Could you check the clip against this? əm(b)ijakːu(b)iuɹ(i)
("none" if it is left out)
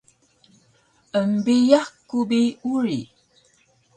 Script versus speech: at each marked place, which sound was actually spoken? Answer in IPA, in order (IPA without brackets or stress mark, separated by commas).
b, b, i